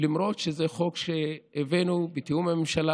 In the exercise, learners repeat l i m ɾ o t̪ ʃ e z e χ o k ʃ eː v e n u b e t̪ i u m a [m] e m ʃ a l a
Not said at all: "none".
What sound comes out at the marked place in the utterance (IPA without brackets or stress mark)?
m